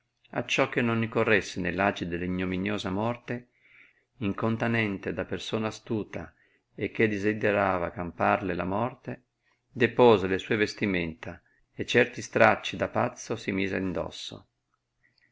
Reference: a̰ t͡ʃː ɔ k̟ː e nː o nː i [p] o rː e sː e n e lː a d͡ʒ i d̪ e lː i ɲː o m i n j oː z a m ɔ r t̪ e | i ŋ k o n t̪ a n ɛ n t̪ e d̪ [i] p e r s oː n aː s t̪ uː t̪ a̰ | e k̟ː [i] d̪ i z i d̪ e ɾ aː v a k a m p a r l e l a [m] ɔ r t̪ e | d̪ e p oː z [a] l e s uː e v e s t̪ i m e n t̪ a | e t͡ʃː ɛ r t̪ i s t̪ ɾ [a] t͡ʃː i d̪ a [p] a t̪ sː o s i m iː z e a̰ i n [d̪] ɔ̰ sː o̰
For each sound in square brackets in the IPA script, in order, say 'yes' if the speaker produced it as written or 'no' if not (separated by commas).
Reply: no, no, no, yes, no, yes, yes, yes